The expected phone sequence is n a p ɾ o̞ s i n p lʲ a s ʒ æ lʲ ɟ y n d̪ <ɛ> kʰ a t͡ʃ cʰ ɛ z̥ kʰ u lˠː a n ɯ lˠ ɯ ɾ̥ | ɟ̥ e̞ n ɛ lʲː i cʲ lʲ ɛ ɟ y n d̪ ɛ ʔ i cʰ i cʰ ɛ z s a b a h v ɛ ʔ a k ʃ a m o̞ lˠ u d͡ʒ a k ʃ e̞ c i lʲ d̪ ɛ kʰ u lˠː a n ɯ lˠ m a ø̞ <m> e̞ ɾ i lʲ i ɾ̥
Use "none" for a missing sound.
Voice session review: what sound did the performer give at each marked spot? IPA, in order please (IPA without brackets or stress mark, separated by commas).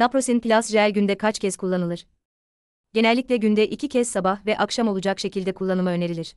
ɛ, n